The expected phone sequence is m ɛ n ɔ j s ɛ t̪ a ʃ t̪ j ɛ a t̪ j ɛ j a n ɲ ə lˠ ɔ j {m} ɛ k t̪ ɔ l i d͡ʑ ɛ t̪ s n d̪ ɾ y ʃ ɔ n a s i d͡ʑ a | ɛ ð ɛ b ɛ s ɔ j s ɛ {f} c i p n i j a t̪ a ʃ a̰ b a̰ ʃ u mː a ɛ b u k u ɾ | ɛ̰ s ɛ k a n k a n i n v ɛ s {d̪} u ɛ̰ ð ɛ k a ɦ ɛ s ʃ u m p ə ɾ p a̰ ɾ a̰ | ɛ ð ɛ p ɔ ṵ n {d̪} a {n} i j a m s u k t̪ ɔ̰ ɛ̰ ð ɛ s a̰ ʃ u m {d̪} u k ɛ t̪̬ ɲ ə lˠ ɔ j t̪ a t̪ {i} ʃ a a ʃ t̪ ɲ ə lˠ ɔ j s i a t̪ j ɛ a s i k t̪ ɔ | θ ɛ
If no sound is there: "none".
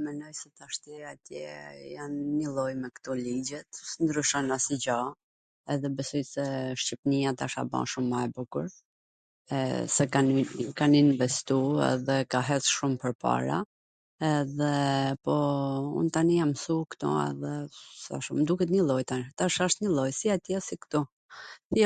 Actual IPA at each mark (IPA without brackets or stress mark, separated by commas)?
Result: m, ʃ, t̪, t̪, n, d̪, a